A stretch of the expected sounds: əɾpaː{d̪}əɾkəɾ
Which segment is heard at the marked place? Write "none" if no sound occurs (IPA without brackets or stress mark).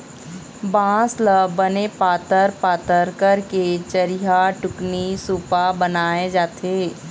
t̪